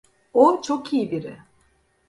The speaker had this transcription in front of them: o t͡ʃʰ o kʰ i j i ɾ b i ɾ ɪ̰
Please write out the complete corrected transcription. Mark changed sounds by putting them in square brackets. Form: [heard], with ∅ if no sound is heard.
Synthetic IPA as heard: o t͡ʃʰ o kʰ i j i [∅] b i ɾ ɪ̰